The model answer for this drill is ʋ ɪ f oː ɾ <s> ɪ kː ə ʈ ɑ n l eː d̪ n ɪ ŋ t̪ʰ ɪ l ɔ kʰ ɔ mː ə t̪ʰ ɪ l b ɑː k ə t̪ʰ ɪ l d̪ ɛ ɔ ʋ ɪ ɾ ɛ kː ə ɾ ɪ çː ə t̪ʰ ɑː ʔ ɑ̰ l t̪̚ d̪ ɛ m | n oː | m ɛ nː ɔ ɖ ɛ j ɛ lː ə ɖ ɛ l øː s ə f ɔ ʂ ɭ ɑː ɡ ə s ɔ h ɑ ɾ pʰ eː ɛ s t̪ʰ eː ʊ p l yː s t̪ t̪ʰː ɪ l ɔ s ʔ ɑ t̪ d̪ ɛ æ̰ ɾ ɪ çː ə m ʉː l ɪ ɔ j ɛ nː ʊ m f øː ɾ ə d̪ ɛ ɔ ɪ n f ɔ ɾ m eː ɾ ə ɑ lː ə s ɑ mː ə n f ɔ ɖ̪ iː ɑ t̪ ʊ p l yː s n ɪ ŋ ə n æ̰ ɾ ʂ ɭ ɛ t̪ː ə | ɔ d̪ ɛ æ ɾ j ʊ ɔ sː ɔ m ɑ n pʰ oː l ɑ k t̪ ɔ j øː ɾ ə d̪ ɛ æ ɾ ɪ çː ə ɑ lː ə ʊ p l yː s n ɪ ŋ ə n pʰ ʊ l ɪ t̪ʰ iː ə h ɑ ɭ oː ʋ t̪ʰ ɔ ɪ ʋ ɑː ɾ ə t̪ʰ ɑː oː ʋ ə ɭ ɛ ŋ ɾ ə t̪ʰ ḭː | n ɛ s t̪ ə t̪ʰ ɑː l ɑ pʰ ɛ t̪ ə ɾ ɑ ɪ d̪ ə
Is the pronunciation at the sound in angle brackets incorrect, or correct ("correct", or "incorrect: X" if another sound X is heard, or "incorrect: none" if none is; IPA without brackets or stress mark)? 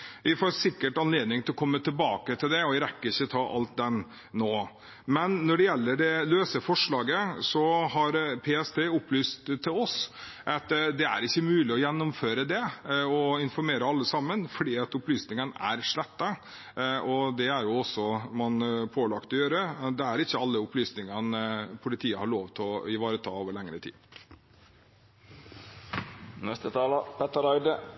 correct